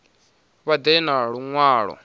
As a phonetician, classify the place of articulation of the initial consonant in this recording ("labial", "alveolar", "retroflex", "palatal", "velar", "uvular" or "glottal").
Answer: labial